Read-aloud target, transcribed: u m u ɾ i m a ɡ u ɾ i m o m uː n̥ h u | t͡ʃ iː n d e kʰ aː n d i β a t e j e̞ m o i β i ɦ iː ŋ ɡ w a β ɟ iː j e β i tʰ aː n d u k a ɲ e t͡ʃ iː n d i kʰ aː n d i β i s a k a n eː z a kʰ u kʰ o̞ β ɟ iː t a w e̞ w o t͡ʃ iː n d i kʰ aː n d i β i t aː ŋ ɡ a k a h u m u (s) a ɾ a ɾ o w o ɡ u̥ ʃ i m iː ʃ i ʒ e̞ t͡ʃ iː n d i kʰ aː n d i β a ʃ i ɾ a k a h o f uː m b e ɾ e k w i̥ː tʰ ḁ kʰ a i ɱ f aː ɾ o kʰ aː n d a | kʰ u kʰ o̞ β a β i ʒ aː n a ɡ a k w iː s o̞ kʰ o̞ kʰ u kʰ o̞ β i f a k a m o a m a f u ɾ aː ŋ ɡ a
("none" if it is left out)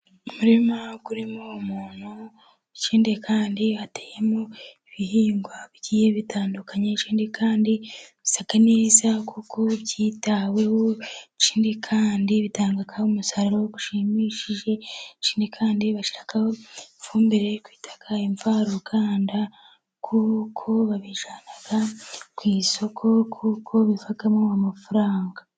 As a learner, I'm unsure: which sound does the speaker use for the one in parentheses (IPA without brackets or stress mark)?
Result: s